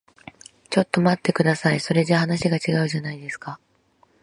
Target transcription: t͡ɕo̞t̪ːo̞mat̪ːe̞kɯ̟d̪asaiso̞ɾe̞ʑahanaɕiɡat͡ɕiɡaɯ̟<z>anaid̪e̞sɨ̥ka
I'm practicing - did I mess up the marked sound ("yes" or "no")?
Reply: yes